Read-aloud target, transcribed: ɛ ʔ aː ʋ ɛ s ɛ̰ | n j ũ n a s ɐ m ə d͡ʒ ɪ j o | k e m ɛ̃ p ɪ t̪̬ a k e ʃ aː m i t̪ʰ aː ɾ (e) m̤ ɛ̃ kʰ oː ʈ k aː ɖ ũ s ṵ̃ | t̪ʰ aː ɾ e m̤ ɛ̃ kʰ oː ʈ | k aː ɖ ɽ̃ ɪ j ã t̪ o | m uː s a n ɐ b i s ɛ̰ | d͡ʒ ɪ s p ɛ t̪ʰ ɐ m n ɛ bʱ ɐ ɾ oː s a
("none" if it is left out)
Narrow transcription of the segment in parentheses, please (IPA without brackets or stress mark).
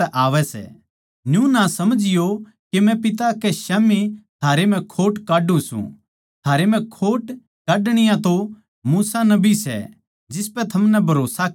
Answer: e